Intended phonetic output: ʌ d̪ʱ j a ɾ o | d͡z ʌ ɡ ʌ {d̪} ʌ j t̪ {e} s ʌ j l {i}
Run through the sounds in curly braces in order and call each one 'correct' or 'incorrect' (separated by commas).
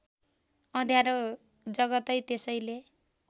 incorrect, correct, incorrect